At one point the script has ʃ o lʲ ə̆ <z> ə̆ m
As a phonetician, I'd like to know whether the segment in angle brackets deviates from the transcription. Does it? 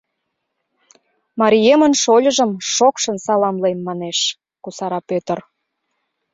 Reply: yes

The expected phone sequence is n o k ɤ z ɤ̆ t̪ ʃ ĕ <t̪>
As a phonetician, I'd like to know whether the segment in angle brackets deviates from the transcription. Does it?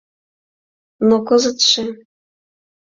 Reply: yes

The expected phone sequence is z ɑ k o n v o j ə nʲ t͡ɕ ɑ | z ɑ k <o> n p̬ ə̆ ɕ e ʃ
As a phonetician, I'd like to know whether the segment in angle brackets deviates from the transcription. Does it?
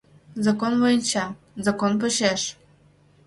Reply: no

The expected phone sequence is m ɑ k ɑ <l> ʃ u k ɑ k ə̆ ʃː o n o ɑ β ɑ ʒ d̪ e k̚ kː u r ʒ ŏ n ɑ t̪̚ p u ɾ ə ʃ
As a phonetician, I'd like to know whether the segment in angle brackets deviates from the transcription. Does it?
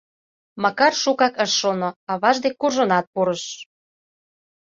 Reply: yes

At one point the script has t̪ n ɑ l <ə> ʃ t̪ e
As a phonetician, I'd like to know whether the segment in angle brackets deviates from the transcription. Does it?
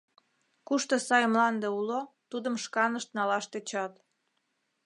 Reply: yes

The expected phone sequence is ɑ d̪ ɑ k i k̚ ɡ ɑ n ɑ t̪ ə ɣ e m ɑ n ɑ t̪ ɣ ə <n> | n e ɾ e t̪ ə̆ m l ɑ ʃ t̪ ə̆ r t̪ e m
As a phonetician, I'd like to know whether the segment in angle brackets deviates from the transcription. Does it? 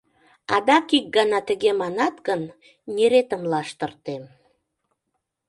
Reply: no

